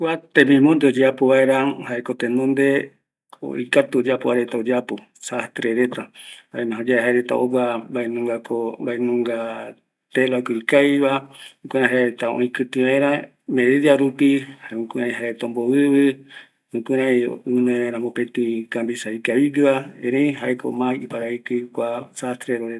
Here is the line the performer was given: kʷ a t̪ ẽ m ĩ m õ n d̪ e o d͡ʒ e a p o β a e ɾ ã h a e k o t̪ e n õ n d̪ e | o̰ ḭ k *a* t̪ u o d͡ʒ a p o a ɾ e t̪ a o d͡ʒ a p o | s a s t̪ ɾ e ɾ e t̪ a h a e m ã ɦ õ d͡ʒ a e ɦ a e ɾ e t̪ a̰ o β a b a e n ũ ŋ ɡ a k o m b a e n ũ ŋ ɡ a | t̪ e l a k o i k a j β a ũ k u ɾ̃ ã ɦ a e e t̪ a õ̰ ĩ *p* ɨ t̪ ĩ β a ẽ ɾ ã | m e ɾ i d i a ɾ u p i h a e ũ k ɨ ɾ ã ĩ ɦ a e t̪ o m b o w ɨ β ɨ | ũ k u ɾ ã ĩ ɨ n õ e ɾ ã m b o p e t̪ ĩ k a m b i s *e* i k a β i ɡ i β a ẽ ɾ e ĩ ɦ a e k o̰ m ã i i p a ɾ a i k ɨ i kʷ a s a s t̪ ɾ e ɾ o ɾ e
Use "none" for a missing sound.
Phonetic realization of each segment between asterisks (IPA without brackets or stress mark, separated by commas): a, k, a